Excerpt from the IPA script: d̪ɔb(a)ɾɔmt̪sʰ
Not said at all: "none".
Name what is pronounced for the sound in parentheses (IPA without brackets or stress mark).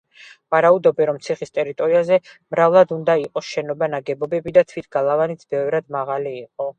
ɛ